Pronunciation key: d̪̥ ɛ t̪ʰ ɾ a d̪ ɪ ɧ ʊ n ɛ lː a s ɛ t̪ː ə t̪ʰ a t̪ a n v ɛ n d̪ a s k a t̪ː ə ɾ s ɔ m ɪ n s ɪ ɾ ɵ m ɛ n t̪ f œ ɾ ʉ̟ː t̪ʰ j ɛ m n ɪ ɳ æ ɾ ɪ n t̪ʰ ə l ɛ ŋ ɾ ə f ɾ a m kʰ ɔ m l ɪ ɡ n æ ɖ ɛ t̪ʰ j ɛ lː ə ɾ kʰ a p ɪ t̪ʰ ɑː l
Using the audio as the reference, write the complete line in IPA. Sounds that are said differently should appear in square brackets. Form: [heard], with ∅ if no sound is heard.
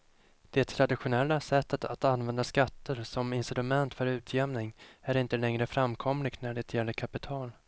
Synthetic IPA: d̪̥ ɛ t̪ʰ ɾ a d̪ ɪ ɧ ʊ n ɛ lː a s ɛ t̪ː ə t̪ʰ a t̪ a n v ɛ n d̪ a s k a t̪ː ə ɾ s ɔ m ɪ n s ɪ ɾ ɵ m ɛ n t̪ f œ ɾ ʉ̟ː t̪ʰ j ɛ m n ɪ [ŋ] æ ɾ ɪ n [t̪] ə l ɛ ŋ ɾ ə f ɾ a m kʰ ɔ m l ɪ ɡ n æ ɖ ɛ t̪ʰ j ɛ lː ə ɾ kʰ a p ɪ t̪ʰ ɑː l

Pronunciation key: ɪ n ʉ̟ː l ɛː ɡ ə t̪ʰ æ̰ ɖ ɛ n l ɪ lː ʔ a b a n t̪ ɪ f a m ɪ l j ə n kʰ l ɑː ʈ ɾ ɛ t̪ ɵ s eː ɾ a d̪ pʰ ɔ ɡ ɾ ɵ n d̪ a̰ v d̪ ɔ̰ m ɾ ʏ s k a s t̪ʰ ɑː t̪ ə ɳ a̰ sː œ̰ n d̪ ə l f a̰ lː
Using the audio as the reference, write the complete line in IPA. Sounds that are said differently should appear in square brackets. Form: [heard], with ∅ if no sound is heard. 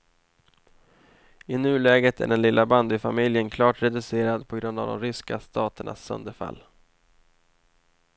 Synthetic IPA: ɪ n ʉ̟ː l ɛː ɡ ə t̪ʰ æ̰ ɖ ɛ n l ɪ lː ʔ a b a n [d̪] ɪ f a m ɪ l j ə n kʰ l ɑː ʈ ɾ ɛ [d̪] ɵ s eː ɾ a d̪ pʰ ɔ ɡ ɾ ɵ n d̪ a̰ v d̪ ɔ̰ m ɾ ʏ s k a s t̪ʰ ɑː t̪ ə ɳ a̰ sː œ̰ n d̪ ə [ɾ] f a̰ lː

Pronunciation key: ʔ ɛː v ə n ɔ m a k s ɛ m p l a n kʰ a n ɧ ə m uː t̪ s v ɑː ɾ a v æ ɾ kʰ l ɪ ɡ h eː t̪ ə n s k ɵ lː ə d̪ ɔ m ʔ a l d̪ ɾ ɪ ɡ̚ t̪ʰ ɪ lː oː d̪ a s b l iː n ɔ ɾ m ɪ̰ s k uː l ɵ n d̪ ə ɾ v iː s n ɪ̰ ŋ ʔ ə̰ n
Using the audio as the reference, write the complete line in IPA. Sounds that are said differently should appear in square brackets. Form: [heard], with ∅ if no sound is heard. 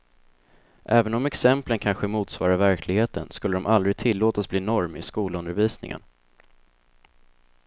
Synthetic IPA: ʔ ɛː v ə n ɔ m [ɛ] k s ɛ m p l [ə] n kʰ a n ɧ ə m uː t̪ s v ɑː ɾ a v æ ɾ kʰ l ɪ ɡ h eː t̪ ə n s k ɵ lː ə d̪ ɔ m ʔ a l d̪ ɾ ɪ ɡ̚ t̪ʰ ɪ lː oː [t̪] a s b l iː n ɔ ɾ m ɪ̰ s k uː l ɵ n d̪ ə ɾ v iː s n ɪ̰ ŋ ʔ ə̰ n

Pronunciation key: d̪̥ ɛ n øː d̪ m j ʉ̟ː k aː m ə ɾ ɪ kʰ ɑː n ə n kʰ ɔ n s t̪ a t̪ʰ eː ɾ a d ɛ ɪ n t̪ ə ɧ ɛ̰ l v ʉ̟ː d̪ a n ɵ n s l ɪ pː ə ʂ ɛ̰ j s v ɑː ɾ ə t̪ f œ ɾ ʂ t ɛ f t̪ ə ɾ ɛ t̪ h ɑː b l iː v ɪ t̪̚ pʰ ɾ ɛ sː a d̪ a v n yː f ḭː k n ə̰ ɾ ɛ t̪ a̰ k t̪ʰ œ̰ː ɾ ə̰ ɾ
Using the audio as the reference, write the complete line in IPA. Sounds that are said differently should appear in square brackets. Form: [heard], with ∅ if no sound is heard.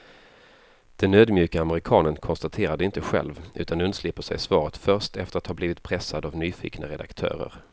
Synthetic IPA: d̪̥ ɛ n øː d̪ m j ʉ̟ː k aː m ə ɾ ɪ kʰ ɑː n ə n kʰ ɔ n s t̪ a t̪ʰ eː ɾ a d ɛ ɪ n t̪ ə ɧ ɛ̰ l v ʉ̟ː [t̪] a n ɵ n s l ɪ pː ə ʂ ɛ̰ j s v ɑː ɾ ə t̪ f œ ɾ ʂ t ɛ f t̪ ə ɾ [a] t̪ h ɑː b l iː v ɪ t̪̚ pʰ ɾ ɛ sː a d̪ a v n yː f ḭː k n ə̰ ɾ ɛ [d̪] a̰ k t̪ʰ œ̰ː ɾ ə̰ ɾ

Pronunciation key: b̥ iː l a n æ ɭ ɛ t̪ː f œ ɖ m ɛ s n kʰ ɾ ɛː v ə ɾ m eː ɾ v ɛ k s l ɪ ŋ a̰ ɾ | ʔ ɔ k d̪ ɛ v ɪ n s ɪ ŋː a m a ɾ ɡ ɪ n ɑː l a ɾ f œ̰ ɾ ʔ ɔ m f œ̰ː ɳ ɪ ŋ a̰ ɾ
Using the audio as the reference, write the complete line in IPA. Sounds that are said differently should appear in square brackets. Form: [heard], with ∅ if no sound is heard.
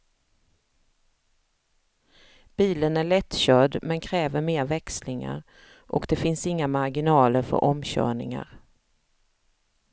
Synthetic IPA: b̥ iː l [ə] n æ ɭ ɛ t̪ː [ɕ] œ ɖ m ɛ [∅] n kʰ ɾ ɛː v ə ɾ m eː ɾ v ɛ k s l ɪ ŋ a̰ ɾ | ʔ ɔ k d̪ ɛ [f] ɪ n s ɪ ŋː a m a ɾ ɡ ɪ n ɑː l [ə] ɾ f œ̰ ɾ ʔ ɔ m [ɕ] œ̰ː ɳ ɪ ŋ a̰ ɾ

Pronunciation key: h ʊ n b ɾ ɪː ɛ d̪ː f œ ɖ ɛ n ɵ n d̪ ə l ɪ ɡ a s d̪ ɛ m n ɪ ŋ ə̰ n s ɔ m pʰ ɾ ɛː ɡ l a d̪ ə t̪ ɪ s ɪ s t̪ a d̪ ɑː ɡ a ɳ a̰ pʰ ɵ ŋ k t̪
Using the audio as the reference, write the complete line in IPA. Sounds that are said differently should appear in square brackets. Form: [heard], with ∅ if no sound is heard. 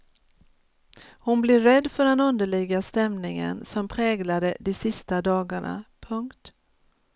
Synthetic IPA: h ʊ n b [l] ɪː ɛ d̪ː f œ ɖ ɛ n ɵ n d̪ ə [ɭ] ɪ ɡ a s [t̪] ɛ m n ɪ ŋ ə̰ n s ɔ m pʰ ɾ ɛː ɡ l a d̪ ə [d̪] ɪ s ɪ s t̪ a d̪ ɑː ɡ a ɳ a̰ pʰ ɵ ŋ k t̪

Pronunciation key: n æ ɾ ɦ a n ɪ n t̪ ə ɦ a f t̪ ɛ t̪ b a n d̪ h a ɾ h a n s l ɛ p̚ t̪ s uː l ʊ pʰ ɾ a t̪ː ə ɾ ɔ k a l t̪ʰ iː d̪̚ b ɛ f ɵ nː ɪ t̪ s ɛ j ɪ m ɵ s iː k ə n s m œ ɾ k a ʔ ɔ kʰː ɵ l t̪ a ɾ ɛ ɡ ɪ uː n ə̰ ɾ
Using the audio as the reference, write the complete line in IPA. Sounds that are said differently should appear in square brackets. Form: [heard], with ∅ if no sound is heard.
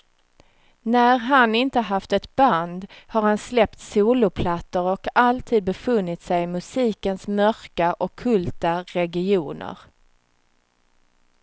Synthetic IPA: n æ ɾ ɦ a n ɪ n t̪ ə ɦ a f t̪ ɛ t̪ b a n d̪ h a ɾ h a n s l ɛ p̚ t̪ s uː l ʊ pʰ [l] a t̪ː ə ɾ ɔ k a l t̪ʰ iː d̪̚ b ɛ f ɵ nː ɪ t̪ s ɛ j ɪ m ɵ s iː k ə n s m œ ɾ k a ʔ ɔ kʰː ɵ l t̪ a ɾ ɛ ɡ ɪ uː n ə̰ ɾ

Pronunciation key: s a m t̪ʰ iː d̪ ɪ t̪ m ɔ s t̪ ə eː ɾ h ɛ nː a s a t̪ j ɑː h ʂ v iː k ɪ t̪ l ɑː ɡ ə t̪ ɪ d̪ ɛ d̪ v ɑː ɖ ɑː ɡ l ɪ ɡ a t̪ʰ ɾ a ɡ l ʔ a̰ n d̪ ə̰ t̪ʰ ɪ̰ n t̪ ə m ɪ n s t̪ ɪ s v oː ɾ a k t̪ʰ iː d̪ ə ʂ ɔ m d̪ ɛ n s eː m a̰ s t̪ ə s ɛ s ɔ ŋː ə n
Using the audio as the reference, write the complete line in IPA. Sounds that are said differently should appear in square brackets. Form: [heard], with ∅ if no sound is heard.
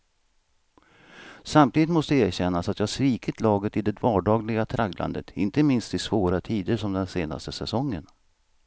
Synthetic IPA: s a m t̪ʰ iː d̪ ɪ t̪ m ɔ s t̪ ə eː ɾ [ɕ] ɛ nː a s a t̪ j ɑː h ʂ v iː k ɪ t̪ l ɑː ɡ ə t̪ ɪ d̪ ɛ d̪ v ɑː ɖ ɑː ɡ l ɪ ɡ a t̪ʰ ɾ a ɡ l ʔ a̰ n d̪ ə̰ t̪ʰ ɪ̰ n t̪ ə m ɪ n s t̪ ɪ s v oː ɾ a [∅] t̪ʰ iː d̪ ə ʂ ɔ m d̪ ɛ n s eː [n] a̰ s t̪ ə s ɛ s ɔ ŋː ə n

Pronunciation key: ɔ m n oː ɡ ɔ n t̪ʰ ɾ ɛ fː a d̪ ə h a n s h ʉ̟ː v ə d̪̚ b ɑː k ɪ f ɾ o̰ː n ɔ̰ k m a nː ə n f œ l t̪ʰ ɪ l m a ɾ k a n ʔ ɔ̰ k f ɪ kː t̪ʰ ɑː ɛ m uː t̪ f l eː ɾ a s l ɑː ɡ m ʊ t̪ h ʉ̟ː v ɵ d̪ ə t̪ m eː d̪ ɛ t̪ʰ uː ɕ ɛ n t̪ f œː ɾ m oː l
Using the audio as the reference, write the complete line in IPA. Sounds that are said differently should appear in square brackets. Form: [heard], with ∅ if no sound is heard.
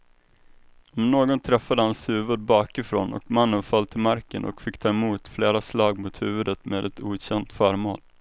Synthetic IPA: ɔ m n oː ɡ ɔ n t̪ʰ ɾ ɛ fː a d̪ ə h a n s h ʉ̟ː v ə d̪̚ b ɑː k ɪ f ɾ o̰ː n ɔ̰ k m a nː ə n f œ l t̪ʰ ɪ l m a ɾ k [ə] n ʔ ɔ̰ k f ɪ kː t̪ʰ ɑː ɛ m uː t̪ f l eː ɾ a s l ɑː ɡ m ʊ t̪ h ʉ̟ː v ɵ d̪ ə t̪ m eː d̪ ɛ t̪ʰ uː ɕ ɛ n t̪ f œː ɾ m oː l

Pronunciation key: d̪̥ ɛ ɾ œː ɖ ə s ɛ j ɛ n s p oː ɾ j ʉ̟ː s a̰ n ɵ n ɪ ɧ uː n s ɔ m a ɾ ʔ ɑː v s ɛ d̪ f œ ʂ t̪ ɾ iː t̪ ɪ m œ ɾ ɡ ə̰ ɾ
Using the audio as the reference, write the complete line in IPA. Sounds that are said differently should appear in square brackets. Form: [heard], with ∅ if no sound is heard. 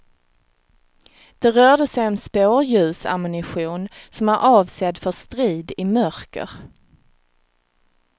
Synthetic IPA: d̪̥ ɛ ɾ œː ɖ ə s ɛ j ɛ n s p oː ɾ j ʉ̟ː s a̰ [m] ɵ n ɪ ɧ uː n s ɔ m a ɾ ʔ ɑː v s ɛ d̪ f œ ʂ t̪ ɾ iː [d̪] ɪ m œ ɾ [k] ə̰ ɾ

